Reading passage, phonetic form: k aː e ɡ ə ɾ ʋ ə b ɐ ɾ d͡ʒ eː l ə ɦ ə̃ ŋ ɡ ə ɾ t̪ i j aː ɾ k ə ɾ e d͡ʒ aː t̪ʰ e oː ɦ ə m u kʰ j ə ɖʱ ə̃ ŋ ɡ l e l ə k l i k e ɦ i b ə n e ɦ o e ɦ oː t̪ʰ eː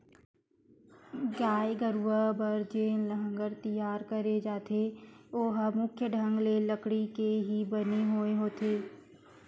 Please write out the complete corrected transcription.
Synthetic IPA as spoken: ɡ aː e ɡ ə ɾ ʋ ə b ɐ ɾ d͡ʒ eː l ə ɦ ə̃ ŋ ɡ ə ɾ t̪ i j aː ɾ k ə ɾ e d͡ʒ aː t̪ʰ e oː ɦ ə m ʊ kʰ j ə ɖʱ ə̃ ŋ ɡ l e l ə k ɽ i k e ɦ i b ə n e ɦ o e ɦ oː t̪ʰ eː